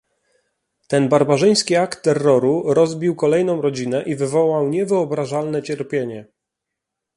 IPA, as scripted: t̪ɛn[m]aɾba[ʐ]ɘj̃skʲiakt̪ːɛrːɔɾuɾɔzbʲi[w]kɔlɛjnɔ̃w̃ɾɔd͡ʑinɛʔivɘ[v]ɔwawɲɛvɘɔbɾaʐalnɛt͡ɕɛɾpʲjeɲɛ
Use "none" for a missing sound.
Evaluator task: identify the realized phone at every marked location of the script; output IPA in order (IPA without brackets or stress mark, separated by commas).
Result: b, ʐ, w, v